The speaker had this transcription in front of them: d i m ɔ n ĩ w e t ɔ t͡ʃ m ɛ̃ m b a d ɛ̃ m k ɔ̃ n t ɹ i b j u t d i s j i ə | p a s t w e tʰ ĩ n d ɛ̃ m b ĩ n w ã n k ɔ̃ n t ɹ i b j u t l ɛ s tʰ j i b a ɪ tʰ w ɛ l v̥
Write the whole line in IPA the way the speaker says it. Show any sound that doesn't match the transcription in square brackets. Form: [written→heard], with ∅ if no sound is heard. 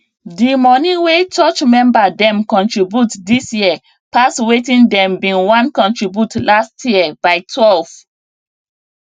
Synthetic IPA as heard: d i m ɔ n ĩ w e [t→t͡ʃ] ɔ t͡ʃ m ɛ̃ m b a d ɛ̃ m k ɔ̃ n t ɹ i b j u t d i s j i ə | p a s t w e [tʰ→t] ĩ n d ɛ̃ m b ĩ n w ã n k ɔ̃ n t ɹ i b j u t l [ɛ→a] s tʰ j i b a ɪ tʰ w ɛ l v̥